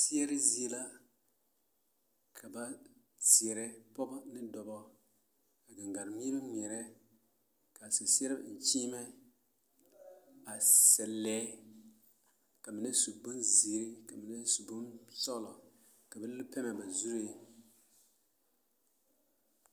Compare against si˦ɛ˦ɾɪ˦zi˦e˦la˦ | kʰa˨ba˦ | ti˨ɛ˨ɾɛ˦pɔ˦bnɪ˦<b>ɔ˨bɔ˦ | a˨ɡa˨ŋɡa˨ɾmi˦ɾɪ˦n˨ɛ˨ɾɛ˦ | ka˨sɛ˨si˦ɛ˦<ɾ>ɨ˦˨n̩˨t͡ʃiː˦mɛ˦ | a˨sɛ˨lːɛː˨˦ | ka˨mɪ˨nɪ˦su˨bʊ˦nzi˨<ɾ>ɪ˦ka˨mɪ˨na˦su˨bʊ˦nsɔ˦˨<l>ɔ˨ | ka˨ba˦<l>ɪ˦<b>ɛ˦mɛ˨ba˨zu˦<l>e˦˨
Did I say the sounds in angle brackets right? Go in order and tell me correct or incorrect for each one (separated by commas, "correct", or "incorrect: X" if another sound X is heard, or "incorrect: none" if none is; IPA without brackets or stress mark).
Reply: incorrect: d, correct, correct, correct, correct, incorrect: p, incorrect: ɾ